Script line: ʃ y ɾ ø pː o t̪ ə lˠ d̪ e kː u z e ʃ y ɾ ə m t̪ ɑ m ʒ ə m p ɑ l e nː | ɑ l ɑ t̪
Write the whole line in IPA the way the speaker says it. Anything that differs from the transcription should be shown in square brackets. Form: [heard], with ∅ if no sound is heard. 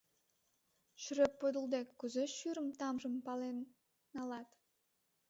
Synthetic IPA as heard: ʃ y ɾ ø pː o [d̪] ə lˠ d̪ e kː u z e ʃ y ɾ ə m t̪ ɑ m ʒ ə m p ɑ l e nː | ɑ l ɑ t̪